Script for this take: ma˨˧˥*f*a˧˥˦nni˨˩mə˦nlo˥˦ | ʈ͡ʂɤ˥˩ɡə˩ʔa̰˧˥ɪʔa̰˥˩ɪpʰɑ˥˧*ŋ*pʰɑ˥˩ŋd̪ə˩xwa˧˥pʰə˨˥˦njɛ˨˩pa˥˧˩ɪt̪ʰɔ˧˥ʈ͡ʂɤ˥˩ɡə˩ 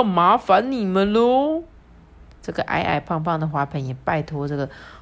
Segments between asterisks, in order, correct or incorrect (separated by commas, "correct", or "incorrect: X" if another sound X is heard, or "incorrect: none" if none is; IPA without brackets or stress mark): correct, correct